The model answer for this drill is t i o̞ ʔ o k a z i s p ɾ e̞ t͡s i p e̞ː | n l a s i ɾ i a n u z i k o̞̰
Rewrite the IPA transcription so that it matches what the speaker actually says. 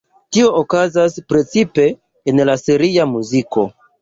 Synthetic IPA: t i o̞ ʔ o k a z a s p ɾ e̞ t͡s i p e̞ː | n l a s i ɾ i a m u z i k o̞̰